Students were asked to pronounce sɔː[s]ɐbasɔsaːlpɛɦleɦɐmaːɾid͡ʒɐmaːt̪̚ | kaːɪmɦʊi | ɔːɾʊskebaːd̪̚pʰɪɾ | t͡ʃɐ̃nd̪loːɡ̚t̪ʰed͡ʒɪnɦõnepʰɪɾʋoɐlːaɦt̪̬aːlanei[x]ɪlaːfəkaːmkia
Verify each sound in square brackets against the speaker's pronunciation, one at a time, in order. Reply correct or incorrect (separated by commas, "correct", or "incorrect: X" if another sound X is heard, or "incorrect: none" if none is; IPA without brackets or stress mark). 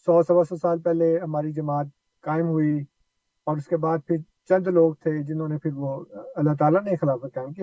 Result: correct, correct